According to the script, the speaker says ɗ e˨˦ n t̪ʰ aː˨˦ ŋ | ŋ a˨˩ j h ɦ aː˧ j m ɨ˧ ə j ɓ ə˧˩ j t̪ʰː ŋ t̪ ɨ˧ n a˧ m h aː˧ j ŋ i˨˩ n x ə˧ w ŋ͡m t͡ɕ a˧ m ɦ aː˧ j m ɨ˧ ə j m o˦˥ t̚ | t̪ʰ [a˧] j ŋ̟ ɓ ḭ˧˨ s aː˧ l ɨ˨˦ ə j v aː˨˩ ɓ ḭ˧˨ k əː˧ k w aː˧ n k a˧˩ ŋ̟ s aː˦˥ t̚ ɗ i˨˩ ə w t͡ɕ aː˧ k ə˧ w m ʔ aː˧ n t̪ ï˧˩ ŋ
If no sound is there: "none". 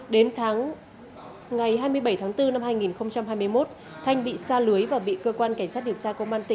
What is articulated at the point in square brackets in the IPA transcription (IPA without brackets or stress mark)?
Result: a˧